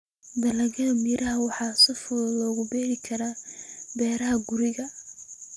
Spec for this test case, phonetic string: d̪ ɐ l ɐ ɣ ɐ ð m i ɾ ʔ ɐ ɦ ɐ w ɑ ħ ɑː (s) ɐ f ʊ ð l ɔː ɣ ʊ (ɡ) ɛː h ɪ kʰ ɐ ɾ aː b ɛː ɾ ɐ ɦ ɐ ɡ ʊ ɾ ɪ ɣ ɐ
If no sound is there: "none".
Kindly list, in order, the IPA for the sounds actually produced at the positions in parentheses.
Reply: s, b

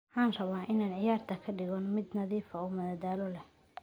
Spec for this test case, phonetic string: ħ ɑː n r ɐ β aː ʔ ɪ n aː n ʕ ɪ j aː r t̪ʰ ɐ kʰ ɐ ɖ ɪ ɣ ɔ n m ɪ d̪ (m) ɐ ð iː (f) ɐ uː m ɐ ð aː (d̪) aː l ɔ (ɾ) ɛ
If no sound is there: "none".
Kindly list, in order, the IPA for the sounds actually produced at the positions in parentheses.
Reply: n, f, d̪, l

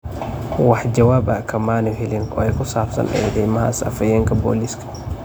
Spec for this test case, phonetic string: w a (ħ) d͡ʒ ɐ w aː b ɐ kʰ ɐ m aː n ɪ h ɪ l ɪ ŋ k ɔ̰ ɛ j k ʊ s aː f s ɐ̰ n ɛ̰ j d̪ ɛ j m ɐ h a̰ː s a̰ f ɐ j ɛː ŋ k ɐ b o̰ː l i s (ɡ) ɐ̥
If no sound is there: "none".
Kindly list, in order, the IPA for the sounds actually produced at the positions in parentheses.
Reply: ħ, k

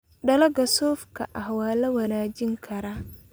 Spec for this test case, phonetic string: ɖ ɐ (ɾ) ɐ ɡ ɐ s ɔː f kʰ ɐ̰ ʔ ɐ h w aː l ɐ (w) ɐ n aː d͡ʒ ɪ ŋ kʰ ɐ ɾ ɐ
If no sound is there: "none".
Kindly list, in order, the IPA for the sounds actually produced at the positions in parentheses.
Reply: l, w

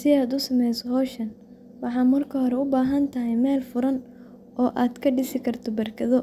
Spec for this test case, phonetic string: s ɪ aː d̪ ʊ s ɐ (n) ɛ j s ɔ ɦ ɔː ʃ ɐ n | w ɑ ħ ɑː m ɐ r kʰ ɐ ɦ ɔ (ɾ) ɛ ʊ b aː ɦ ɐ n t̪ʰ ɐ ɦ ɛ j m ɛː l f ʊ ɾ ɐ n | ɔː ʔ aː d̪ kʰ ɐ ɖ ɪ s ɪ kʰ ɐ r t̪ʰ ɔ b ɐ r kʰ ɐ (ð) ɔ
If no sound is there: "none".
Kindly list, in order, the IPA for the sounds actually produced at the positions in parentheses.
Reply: m, ɾ, ð

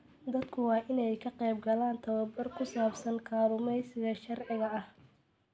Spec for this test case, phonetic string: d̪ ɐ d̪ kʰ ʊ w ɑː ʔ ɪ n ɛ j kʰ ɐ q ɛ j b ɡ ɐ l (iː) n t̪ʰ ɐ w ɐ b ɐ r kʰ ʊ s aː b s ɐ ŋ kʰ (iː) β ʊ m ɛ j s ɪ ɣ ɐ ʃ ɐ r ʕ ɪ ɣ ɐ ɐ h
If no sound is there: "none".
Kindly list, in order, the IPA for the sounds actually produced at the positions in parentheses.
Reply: aː, aː

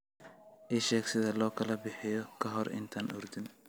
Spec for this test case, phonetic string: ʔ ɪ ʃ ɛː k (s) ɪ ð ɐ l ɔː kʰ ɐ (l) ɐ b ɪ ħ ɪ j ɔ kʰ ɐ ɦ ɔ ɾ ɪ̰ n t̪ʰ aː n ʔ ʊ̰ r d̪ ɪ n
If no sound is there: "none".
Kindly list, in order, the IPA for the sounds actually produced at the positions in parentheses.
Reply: s, l

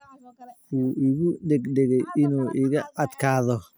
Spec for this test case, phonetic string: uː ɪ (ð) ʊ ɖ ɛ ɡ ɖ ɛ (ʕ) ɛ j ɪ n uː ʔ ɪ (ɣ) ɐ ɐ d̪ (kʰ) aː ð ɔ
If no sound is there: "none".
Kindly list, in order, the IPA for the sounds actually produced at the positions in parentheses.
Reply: ɣ, ɣ, ɣ, kʰ

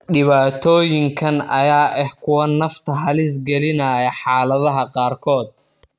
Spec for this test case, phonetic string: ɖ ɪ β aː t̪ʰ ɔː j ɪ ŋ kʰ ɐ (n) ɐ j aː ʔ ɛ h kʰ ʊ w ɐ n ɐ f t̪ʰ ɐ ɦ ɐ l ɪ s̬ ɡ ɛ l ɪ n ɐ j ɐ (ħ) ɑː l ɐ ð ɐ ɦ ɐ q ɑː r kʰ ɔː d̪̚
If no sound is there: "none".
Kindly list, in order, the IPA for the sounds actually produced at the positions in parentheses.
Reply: n, ħ

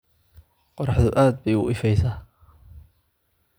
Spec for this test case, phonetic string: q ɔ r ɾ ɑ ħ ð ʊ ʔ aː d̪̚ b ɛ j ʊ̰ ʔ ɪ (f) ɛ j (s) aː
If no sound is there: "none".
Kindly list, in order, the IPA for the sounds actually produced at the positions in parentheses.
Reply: f, s

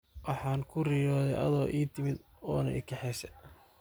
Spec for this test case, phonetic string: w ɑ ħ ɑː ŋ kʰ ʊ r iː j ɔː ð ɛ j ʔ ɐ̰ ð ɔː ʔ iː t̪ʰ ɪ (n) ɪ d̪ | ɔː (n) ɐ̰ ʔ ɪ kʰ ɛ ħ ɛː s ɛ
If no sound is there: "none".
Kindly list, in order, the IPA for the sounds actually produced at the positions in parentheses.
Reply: m, n

